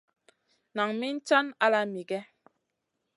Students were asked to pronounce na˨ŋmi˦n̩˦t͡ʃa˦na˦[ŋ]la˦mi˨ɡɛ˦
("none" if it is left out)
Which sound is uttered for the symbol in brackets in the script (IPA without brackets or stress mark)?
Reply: none